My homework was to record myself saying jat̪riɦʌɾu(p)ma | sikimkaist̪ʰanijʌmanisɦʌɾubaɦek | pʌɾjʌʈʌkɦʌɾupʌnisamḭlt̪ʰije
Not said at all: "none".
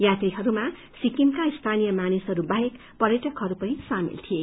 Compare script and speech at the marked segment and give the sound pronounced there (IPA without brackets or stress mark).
none